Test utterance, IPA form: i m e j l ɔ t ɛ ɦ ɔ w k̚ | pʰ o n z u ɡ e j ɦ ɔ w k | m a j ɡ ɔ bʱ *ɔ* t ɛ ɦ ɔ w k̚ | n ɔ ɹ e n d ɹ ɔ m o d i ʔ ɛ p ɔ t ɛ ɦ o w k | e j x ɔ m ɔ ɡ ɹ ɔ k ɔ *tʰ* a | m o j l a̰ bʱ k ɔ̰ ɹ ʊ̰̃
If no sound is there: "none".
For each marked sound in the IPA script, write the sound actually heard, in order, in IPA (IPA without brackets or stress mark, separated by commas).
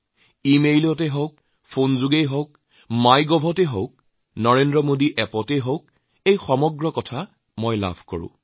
ɔ, tʰ